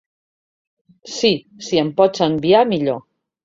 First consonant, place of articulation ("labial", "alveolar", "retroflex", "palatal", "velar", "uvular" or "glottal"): alveolar